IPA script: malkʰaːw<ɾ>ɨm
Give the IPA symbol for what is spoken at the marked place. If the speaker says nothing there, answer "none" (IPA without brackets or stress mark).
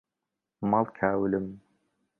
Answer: l